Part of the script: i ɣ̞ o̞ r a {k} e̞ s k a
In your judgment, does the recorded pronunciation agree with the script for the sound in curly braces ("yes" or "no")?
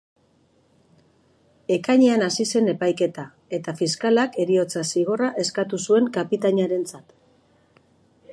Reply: no